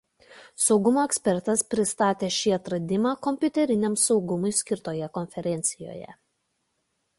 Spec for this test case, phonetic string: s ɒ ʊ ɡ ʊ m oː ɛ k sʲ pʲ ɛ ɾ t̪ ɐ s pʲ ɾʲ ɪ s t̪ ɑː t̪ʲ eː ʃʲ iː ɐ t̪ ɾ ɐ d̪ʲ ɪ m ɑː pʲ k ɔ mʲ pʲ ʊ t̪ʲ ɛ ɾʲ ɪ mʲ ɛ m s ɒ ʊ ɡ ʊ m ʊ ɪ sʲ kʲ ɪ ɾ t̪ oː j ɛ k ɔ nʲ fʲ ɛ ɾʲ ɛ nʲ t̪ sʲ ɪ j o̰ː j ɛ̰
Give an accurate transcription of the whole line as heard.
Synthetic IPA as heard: s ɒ ʊ ɡ ʊ m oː ɛ k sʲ pʲ ɛ ɾ t̪ ɐ s pʲ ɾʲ ɪ s t̪ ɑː t̪ʲ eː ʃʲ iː ɐ t̪ ɾ ɐ d̪ʲ ɪ m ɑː k ɔ mʲ pʲ ʊ t̪ʲ ɛ ɾʲ ɪ nʲ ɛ m s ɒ ʊ ɡ ʊ m ʊ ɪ sʲ kʲ ɪ ɾ t̪ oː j ɛ k ɔ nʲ fʲ ɛ ɾʲ ɛ nʲ t̪ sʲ ɪ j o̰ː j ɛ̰